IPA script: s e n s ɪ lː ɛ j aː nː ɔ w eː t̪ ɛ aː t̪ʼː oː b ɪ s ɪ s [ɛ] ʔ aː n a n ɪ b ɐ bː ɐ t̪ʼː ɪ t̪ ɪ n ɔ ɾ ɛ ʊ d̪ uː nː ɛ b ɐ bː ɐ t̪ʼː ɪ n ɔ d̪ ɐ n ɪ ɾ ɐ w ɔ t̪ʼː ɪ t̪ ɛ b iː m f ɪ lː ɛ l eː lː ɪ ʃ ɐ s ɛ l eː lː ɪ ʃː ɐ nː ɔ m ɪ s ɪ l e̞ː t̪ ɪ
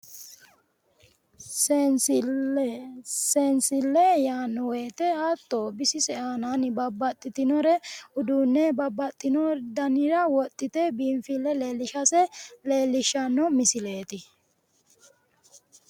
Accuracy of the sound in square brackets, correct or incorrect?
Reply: correct